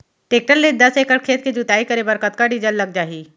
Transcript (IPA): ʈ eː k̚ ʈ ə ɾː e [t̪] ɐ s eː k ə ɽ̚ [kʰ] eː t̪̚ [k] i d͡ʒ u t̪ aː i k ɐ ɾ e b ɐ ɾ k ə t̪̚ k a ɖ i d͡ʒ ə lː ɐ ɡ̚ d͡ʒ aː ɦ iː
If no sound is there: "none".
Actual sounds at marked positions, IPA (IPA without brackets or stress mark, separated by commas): d̪, kʰ, k